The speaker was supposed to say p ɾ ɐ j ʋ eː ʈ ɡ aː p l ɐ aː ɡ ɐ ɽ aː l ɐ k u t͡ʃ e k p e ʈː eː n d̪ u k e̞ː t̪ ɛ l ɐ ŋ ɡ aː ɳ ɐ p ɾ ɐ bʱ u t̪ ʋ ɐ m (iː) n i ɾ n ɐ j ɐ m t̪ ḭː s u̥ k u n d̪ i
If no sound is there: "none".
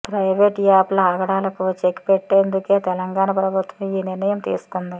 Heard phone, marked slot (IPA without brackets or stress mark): iː